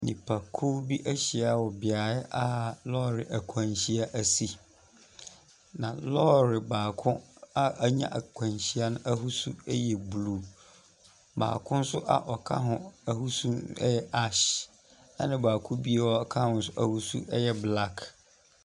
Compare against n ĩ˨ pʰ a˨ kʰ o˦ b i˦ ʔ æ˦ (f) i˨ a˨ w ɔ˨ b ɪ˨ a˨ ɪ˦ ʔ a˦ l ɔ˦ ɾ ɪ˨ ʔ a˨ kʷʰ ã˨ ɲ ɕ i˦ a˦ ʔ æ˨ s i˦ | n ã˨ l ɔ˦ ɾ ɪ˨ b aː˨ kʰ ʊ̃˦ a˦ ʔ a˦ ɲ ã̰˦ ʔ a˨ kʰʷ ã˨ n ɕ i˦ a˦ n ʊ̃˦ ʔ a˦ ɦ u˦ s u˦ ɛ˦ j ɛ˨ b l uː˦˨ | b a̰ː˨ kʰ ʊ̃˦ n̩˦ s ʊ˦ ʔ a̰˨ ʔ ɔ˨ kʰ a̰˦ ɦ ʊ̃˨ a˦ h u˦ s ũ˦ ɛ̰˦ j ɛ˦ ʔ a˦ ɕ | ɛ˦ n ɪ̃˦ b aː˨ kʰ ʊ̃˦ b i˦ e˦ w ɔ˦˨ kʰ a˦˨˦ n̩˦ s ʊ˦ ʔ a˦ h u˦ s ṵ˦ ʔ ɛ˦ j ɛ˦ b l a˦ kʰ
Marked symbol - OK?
no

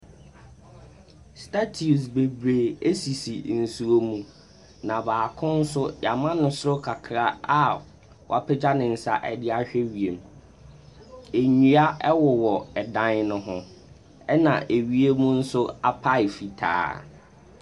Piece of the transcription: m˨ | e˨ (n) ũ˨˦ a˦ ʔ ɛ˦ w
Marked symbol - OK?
no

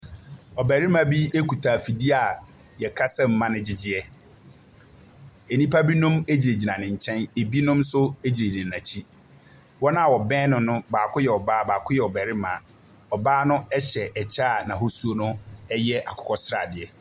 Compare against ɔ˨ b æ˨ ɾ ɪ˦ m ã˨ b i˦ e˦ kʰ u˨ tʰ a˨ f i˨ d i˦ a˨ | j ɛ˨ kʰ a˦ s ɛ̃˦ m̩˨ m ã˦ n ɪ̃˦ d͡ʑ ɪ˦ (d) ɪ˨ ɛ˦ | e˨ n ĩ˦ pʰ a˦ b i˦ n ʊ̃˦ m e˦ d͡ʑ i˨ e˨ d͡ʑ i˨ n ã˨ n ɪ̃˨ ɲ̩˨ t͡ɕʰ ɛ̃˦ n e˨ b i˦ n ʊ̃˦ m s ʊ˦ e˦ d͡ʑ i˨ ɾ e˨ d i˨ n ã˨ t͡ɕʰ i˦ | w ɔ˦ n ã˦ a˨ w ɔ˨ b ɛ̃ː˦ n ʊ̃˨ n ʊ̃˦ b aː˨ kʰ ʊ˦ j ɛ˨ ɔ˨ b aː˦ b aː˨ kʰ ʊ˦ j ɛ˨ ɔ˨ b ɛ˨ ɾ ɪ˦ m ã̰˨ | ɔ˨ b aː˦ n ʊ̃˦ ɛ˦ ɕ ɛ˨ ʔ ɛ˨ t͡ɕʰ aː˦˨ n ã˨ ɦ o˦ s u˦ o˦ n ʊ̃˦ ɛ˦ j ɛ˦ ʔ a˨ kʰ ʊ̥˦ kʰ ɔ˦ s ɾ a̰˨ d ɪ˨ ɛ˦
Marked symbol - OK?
no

